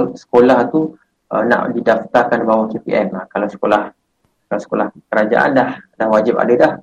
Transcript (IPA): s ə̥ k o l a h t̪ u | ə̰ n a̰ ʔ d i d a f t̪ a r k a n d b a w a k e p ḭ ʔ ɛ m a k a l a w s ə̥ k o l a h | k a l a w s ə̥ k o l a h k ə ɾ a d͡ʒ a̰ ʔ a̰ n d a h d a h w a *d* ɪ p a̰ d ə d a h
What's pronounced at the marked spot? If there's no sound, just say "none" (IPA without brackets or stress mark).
d͡ʒ